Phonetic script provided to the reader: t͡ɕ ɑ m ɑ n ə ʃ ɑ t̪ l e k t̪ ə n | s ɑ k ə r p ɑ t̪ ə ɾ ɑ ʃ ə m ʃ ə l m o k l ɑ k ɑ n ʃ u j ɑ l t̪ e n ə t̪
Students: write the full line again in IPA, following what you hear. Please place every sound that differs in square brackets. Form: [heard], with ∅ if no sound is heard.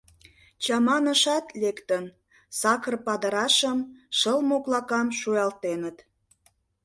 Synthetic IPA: t͡ɕ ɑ m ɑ n ə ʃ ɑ t̪ l e k t̪ ə n | s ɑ k ə r p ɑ [d̪] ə ɾ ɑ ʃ ə m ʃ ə l m o k l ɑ k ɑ [m] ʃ u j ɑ l t̪ e n ə t̪